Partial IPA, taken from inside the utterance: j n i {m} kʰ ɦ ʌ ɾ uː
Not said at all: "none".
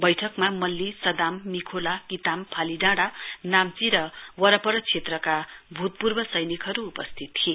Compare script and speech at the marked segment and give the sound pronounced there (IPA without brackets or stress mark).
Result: none